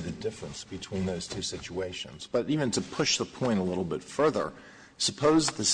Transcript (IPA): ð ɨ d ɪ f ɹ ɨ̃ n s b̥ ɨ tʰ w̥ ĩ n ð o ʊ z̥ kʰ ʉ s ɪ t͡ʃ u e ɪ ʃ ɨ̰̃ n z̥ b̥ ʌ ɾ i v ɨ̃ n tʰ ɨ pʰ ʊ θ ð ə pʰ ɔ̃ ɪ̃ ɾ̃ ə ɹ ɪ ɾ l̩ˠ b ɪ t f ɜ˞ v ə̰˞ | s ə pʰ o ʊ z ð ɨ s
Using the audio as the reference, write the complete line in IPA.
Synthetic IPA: ð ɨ d ɪ f ɹ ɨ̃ n s b̥ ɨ tʰ w̥ ĩ n ð o ʊ z̥ tʰ ʉ s ɪ t͡ʃ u e ɪ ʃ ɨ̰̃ n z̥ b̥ ʌ ɾ i v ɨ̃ n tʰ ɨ pʰ ʊ ʃ ð ə pʰ ɔ̃ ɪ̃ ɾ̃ ə l ɪ ɾ l̩ˠ b ɪ t f ɜ˞ ð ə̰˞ | s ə pʰ o ʊ z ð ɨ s